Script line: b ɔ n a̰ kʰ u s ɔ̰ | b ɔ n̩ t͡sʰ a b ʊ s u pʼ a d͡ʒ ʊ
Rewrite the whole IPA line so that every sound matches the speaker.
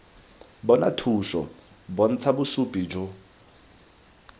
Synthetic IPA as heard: b ɔ n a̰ tʰ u s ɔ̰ | b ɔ n̩ t͡sʰ a b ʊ s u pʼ i d͡ʒ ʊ